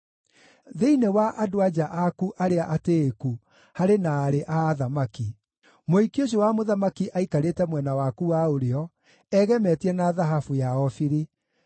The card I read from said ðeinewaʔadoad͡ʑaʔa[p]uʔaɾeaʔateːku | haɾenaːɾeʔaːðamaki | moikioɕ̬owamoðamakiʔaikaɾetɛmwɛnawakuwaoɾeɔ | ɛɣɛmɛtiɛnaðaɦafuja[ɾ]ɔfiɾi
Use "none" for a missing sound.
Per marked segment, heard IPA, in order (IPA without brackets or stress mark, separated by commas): k, none